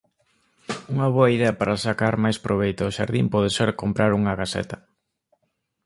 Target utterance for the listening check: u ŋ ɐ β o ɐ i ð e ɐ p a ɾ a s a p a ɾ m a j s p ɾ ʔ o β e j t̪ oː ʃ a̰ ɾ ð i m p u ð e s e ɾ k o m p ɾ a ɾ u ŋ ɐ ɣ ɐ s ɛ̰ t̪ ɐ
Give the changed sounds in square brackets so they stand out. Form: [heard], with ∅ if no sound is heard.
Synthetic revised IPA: u ŋ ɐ β o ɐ i ð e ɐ p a ɾ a s a [k] a ɾ m a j s p ɾ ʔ o β e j t̪ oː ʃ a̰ ɾ ð i m p [ɔ] ð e s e ɾ k o m p ɾ a ɾ u ŋ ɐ ɣ [a] s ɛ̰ t̪ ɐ